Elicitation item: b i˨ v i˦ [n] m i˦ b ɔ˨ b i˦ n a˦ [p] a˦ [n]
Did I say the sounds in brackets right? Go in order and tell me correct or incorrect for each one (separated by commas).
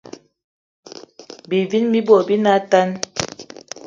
correct, incorrect, correct